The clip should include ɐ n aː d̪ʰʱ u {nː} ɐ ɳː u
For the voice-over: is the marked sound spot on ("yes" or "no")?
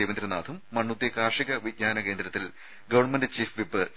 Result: no